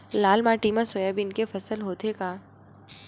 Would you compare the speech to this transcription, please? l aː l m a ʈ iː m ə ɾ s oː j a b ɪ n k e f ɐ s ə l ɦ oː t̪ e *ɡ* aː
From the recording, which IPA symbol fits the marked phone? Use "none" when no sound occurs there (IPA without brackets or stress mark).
k